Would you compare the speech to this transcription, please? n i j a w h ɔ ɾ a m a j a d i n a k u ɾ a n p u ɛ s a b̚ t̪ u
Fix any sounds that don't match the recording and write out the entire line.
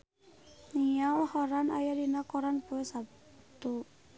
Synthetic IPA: n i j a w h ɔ ɾ a n a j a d i n a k ɔ ɾ a n p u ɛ s a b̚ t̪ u